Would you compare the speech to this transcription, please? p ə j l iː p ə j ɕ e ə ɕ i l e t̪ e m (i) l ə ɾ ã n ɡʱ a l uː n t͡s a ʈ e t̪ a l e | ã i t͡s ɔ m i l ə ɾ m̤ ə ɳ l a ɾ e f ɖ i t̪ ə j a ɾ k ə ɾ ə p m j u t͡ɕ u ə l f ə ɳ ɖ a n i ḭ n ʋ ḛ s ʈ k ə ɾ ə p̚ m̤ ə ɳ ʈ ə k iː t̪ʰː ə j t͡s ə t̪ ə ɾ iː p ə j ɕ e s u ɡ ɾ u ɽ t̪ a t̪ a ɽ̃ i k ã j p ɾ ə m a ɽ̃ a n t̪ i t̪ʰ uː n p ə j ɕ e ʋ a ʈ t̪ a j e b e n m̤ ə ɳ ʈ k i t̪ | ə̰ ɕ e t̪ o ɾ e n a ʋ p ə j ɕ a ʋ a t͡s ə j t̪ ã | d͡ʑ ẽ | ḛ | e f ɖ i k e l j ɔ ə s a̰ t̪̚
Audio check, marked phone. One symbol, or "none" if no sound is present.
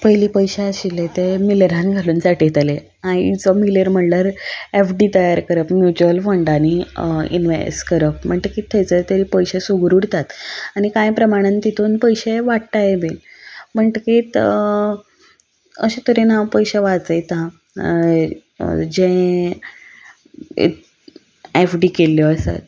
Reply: i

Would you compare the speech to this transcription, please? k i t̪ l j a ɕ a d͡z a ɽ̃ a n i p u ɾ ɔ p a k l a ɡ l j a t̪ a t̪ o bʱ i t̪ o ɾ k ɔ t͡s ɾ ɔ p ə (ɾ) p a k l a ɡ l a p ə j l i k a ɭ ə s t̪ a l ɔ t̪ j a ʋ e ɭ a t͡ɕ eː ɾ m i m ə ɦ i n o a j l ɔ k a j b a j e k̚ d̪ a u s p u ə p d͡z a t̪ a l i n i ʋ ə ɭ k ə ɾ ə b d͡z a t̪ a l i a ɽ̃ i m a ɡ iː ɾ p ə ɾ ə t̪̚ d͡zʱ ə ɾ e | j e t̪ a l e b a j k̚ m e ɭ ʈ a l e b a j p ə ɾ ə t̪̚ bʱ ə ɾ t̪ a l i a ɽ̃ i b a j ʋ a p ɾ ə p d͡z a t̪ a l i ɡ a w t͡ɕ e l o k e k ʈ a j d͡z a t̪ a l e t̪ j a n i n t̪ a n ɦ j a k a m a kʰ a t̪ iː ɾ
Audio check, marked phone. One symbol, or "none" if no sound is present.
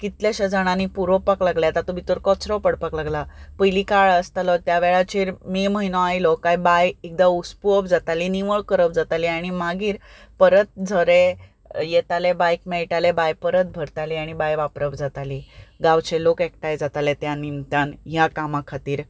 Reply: ɽ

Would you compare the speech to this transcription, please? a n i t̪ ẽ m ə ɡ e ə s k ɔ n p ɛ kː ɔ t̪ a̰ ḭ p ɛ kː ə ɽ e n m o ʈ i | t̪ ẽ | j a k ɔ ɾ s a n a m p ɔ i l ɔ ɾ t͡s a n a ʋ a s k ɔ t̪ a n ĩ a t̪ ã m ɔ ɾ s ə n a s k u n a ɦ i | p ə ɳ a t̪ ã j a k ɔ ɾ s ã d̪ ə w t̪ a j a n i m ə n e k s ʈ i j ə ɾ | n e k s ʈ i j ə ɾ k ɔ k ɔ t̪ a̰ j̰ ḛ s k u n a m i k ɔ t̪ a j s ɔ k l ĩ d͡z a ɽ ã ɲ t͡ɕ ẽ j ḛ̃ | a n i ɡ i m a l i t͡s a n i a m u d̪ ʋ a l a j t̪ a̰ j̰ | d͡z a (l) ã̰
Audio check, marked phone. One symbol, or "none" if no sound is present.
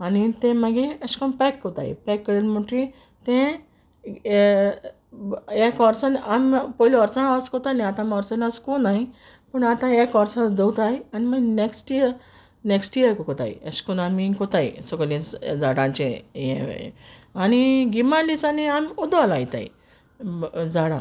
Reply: ɽ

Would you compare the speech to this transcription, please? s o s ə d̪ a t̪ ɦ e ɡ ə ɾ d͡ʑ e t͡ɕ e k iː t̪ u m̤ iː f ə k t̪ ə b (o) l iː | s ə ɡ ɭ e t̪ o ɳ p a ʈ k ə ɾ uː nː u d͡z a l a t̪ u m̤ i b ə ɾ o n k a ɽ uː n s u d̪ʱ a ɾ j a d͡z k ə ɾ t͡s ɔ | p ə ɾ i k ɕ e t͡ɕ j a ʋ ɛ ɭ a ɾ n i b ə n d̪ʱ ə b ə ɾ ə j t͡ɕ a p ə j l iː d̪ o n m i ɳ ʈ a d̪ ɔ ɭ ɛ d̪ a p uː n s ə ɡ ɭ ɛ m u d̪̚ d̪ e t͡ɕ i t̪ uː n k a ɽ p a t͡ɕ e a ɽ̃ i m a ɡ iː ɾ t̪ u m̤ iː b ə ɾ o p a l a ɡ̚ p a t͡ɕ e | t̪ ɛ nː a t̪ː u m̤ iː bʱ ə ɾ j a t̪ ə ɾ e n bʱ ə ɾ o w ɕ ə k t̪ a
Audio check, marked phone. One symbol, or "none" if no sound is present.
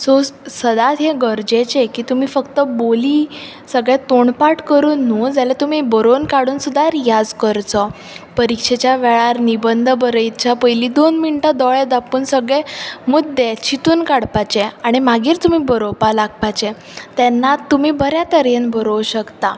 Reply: o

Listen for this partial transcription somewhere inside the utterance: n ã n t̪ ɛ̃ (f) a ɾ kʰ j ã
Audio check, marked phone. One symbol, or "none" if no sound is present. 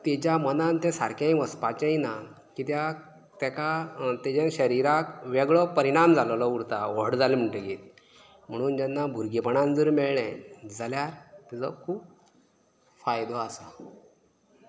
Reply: s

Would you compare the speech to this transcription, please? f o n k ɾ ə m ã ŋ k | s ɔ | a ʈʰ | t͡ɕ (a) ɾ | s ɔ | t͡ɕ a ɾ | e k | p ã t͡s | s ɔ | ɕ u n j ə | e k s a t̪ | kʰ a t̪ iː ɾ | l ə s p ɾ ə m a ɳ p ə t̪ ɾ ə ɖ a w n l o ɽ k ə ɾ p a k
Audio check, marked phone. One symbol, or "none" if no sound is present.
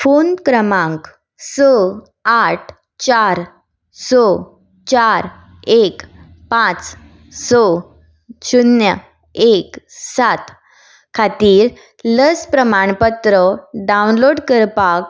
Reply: a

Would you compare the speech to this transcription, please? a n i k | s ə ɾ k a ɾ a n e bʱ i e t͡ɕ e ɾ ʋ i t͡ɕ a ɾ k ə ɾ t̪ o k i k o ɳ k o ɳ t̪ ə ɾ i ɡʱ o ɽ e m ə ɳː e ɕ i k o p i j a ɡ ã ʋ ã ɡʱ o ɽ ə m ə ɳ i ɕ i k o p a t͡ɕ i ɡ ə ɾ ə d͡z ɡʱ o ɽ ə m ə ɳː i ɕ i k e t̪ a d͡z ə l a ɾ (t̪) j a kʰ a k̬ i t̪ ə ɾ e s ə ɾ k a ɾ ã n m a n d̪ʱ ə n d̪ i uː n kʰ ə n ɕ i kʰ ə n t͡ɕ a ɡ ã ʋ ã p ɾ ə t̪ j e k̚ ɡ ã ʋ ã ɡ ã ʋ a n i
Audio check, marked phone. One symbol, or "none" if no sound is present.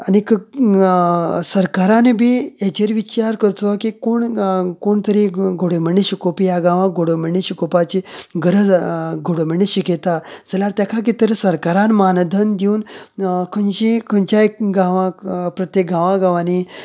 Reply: t̪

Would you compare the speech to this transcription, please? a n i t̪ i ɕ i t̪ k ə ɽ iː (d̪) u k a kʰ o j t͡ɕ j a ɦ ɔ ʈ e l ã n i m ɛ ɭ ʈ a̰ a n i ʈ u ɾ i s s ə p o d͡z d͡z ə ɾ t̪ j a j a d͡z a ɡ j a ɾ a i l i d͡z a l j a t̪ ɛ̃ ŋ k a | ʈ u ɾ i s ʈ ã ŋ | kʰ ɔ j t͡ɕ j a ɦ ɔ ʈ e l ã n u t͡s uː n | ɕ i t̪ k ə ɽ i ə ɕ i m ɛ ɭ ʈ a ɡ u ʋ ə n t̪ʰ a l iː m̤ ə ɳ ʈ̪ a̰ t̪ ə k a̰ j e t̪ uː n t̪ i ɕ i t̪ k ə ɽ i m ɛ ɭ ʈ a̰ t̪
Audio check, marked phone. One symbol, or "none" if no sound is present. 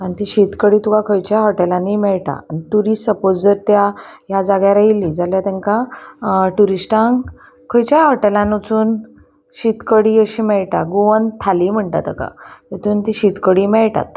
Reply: t̪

